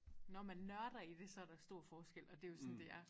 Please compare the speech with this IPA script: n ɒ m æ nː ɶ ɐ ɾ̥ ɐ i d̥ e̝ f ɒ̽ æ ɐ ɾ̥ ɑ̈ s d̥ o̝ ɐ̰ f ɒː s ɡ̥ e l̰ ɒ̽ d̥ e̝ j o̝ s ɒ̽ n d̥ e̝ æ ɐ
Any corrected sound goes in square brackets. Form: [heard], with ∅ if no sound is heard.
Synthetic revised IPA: n ɒ m æ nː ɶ ɐ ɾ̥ ɐ i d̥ e̝ [s] ɒ̽ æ ɐ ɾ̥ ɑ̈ s d̥ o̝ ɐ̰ f ɒː s ɡ̥ e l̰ ɒ̽ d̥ e̝ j o̝ s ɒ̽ n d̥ e̝ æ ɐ